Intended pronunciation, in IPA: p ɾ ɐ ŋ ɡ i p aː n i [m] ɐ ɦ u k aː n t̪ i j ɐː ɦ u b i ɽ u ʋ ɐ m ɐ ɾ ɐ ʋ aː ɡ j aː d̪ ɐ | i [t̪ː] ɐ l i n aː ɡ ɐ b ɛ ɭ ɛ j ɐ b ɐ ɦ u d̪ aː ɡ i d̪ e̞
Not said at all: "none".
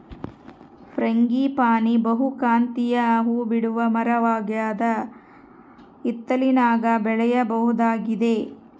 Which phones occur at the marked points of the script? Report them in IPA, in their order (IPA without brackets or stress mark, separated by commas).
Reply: b, t̪ː